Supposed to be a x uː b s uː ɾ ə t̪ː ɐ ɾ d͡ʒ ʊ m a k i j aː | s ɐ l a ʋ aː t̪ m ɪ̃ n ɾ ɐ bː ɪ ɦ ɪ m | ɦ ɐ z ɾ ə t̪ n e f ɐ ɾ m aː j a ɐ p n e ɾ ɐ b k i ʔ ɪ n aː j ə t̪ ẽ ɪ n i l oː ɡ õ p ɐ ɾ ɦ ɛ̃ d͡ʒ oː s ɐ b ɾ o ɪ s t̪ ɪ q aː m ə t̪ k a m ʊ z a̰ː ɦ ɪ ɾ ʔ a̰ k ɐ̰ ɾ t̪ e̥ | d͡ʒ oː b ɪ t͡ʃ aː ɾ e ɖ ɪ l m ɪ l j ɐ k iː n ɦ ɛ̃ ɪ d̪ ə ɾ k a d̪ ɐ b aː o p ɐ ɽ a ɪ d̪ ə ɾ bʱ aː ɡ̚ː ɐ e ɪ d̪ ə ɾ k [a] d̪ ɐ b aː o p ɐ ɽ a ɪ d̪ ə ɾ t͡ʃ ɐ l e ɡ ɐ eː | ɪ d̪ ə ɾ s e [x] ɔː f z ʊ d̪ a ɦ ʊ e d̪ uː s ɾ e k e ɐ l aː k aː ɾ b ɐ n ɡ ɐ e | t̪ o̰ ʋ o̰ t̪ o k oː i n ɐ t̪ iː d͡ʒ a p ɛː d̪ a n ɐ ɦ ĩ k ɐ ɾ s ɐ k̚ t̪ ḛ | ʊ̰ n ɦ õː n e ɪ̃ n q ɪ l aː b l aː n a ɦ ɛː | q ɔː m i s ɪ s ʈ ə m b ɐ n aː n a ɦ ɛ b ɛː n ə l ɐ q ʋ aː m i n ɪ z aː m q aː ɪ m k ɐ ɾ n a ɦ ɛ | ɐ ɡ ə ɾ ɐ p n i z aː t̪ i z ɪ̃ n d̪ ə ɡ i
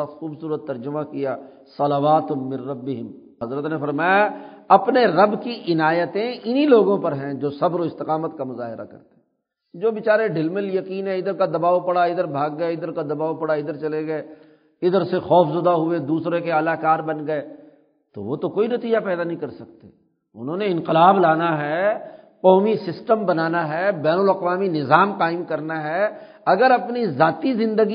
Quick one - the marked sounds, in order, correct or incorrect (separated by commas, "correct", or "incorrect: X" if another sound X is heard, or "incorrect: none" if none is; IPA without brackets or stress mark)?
correct, correct